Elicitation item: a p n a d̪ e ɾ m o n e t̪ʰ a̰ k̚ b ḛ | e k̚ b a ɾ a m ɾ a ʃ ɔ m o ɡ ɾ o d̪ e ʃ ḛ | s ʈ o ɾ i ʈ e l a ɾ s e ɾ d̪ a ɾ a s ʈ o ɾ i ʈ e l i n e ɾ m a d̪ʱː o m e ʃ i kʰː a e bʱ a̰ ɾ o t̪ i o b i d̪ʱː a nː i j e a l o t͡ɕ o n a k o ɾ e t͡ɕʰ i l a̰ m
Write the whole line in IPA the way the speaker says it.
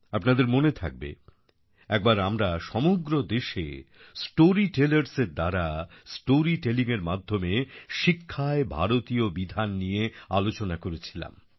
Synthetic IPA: a p n a d̪ e ɾ m o n e t̪ʰ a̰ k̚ b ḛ | ɛ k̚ b a ɾ a m ɾ a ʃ ɔ m o ɡ ɾ o d̪ e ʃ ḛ | s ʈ o ɾ i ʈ e l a ɾ s e ɾ d̪ a ɾ a s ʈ o ɾ i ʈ e l i ŋ e ɾ m a d̪ʱː o m e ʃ i kʰː a e bʱ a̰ ɾ o t̪ i o b i d̪ʱ a nː i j e a l o t͡ɕ o n a k o ɾ e t͡ɕʰ i l a̰ m